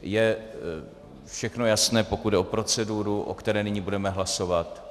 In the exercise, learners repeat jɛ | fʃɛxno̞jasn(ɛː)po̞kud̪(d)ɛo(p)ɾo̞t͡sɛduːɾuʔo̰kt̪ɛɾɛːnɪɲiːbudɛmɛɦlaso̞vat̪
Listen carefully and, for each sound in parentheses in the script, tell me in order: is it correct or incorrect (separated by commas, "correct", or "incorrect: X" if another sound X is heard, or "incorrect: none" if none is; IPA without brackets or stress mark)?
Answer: correct, correct, correct